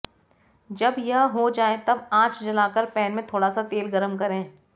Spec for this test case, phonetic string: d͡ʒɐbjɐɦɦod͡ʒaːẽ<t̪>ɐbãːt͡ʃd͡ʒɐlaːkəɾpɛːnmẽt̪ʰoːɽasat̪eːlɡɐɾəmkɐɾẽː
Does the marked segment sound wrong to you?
no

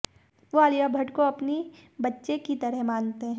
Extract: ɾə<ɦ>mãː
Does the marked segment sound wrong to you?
no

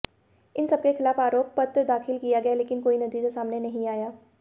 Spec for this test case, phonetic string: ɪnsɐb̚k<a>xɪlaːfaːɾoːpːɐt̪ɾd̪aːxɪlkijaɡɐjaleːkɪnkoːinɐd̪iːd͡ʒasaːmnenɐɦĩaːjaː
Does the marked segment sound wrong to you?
yes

